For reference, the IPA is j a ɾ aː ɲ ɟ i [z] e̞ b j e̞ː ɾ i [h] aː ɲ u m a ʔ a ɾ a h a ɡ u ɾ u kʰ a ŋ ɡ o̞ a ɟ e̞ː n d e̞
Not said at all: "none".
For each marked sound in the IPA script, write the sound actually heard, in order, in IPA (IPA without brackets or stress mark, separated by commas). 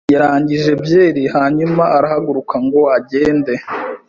ʒ, h